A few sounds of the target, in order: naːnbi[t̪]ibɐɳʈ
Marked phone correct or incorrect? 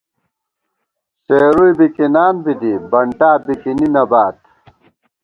incorrect